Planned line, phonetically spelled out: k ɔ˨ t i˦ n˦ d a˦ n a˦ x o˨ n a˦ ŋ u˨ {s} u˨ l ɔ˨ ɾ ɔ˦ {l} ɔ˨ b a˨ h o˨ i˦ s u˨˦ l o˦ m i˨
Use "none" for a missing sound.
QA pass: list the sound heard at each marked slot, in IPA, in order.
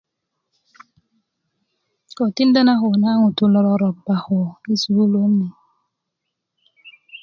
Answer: t, ɾ

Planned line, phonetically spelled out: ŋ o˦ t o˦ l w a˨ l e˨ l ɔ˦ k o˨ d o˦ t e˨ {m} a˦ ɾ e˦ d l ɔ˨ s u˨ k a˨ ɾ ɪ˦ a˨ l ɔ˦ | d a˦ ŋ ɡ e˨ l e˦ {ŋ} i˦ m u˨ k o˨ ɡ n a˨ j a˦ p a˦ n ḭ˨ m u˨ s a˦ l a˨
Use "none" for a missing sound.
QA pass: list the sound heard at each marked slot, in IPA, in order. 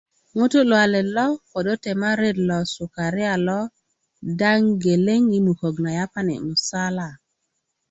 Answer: m, ŋ

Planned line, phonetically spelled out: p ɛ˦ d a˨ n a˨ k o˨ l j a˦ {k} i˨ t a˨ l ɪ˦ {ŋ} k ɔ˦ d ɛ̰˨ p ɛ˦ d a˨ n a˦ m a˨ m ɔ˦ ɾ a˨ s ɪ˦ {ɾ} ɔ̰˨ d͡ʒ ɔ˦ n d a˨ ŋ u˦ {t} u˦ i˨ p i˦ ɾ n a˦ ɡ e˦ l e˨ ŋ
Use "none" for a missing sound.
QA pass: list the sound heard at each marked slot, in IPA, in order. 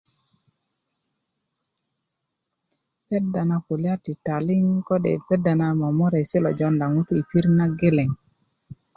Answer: t, ŋ, l, t

